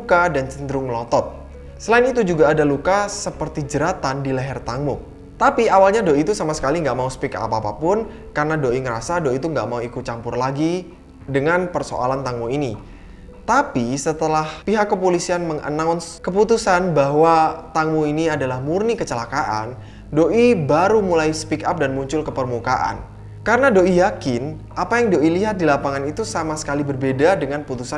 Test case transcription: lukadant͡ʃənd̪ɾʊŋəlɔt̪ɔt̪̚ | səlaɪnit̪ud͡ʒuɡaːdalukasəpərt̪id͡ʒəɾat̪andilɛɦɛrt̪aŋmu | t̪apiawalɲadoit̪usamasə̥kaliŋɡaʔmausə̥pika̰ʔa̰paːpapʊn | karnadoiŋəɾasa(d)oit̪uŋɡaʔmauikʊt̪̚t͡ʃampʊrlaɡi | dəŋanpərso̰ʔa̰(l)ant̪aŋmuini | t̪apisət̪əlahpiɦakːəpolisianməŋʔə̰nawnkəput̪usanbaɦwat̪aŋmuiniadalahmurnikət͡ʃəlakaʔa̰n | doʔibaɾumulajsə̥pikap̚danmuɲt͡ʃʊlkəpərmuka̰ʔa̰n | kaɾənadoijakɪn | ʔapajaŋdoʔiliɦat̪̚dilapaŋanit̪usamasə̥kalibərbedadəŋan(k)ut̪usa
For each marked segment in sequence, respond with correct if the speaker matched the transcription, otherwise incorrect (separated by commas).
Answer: correct, correct, incorrect